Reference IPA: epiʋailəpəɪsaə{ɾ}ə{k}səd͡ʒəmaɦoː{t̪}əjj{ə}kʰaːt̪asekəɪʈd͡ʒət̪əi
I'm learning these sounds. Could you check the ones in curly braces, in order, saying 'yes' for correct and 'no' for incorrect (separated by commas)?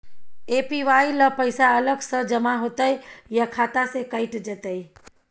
no, no, yes, no